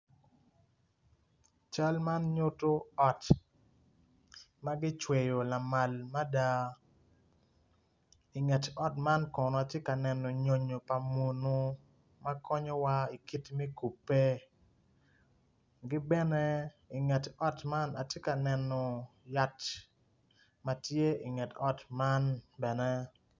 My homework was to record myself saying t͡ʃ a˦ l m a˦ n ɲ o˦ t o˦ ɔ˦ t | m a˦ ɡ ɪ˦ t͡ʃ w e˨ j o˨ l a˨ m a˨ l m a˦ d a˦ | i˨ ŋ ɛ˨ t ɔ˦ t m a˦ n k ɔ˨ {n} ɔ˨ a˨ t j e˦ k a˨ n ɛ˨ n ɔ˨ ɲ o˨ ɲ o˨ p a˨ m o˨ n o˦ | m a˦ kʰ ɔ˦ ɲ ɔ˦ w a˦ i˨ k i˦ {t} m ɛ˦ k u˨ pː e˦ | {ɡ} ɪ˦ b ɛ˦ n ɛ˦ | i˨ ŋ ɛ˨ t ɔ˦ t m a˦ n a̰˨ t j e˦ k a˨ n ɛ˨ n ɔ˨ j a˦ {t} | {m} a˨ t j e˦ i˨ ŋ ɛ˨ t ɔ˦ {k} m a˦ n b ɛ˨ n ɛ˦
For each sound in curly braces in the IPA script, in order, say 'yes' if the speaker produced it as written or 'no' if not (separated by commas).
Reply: yes, yes, yes, yes, yes, no